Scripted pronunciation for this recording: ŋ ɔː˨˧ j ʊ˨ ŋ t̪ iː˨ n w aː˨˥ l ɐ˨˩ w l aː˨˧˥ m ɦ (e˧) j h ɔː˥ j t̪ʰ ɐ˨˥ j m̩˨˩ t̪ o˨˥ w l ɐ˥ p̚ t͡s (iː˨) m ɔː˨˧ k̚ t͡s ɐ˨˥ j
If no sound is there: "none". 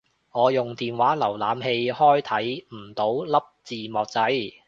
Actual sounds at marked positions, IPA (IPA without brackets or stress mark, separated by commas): e˧, iː˨